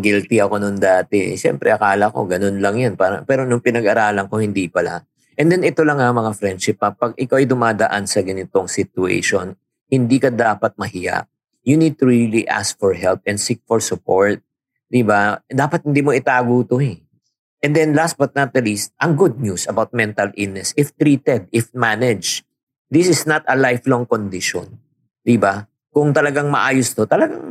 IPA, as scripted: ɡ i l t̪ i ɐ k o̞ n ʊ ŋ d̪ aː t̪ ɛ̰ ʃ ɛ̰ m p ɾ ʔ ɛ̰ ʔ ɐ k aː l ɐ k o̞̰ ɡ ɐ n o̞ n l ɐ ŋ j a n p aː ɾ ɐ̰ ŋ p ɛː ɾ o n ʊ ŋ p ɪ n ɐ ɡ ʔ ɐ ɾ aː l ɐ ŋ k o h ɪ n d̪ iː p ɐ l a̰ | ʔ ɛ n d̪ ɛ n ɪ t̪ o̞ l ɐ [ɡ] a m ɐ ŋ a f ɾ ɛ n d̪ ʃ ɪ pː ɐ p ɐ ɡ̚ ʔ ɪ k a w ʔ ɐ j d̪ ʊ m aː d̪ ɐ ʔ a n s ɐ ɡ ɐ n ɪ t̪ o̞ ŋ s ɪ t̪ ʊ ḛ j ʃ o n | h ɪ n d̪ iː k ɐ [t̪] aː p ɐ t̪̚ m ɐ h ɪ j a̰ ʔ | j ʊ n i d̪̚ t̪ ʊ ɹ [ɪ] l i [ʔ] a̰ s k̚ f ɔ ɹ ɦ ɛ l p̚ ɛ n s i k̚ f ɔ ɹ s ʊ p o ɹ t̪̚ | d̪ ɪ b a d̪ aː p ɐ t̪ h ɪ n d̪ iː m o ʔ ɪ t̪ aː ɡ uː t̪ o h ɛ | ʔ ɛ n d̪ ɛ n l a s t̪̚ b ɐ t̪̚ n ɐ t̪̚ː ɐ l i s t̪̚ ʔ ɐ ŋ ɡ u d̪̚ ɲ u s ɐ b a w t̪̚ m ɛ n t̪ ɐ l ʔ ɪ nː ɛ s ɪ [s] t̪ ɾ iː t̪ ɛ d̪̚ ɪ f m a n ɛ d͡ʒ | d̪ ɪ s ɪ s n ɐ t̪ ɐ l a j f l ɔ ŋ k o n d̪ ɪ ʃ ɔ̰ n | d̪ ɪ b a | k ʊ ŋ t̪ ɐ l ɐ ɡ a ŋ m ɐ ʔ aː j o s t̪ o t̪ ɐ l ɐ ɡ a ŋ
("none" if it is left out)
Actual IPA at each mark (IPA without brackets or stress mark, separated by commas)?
ŋ, d̪, i, ʔ, f